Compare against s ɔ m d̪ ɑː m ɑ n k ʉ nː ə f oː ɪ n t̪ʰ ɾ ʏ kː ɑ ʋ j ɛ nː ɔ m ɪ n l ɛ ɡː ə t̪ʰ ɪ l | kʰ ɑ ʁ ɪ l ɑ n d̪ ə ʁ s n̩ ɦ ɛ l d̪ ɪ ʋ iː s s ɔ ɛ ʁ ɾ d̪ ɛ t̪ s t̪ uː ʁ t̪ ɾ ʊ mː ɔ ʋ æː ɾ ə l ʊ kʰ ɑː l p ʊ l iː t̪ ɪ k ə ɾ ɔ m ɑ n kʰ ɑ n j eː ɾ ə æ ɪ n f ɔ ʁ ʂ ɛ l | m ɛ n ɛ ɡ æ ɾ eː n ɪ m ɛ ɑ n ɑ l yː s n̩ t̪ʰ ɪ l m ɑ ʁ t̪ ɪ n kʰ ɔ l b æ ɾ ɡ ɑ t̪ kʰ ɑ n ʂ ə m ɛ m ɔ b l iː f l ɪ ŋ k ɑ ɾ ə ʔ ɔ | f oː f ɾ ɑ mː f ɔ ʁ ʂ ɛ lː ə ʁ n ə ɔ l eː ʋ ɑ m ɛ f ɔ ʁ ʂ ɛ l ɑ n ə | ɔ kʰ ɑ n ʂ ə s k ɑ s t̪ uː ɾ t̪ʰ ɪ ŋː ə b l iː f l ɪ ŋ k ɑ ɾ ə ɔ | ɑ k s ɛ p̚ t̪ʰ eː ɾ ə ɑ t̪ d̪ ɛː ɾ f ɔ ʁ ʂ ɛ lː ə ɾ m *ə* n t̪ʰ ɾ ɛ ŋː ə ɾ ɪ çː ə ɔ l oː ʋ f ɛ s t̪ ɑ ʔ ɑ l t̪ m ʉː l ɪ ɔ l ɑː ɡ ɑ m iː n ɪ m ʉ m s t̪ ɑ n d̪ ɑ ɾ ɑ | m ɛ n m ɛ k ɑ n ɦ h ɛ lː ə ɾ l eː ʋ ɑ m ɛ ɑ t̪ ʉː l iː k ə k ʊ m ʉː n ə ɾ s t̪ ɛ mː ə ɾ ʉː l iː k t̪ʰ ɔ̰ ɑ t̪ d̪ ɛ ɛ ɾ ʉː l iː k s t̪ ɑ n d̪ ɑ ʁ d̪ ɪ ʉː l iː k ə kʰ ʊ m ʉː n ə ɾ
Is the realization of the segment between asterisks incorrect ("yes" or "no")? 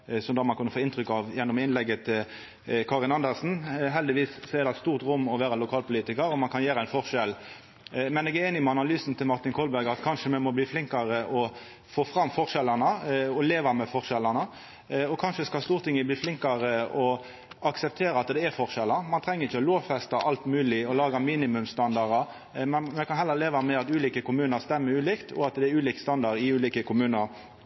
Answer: yes